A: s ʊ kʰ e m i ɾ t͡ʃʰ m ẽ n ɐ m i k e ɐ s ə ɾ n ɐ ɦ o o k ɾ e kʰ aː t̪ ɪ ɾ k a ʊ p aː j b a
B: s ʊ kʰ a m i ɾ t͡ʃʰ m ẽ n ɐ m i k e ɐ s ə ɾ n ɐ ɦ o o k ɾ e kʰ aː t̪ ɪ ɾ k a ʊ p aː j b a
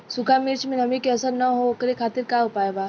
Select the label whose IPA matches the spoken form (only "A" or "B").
B